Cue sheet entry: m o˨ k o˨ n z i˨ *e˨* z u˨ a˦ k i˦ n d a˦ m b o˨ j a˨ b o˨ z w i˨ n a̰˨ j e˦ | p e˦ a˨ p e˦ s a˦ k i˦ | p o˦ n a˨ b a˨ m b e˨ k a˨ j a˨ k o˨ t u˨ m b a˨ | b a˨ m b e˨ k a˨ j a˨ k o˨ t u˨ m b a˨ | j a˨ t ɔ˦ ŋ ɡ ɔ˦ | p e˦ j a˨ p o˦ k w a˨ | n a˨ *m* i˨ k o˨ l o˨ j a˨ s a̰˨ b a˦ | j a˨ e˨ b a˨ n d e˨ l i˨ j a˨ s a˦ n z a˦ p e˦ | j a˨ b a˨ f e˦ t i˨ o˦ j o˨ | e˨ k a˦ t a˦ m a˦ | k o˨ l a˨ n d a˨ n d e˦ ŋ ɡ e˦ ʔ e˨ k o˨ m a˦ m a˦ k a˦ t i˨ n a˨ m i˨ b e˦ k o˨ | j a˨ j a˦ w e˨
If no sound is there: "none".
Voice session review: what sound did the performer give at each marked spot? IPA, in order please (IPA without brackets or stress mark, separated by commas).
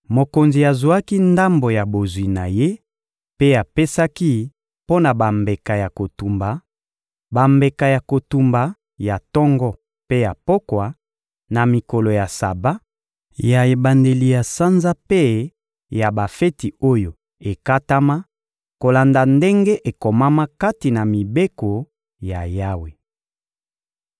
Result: a˨, m